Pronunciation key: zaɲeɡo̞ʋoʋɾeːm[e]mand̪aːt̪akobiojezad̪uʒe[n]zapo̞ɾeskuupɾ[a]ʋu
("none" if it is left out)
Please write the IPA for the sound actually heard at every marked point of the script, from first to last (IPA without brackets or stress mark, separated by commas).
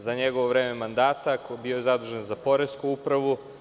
e, n, a